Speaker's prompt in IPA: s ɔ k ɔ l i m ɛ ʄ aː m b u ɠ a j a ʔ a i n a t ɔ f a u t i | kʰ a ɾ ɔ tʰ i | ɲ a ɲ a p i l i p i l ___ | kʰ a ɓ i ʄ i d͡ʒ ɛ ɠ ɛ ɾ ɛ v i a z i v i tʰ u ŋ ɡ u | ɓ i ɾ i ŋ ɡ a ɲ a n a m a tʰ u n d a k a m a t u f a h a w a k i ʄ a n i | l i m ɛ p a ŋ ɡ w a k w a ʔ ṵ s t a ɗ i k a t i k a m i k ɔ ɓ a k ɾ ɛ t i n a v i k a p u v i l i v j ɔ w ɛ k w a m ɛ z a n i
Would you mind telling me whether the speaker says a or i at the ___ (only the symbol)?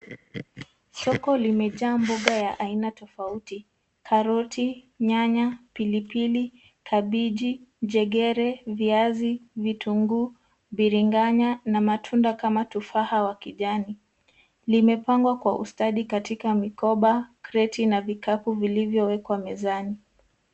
i